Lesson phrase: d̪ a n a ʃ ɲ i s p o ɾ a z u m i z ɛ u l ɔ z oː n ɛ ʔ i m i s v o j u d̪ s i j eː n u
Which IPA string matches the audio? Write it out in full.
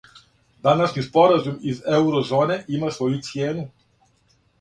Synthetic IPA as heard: d̪ a n a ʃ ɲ i s p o ɾ a z u m i z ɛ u ɾ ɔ z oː n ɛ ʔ i m a s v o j u t̪ s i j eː n u